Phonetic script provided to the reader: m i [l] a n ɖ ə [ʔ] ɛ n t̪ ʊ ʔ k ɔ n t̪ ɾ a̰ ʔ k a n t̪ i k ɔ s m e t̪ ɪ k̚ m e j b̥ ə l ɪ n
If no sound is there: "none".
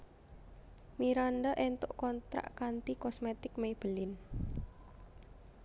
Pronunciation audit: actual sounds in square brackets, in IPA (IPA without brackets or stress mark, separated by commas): ɾ, ʔ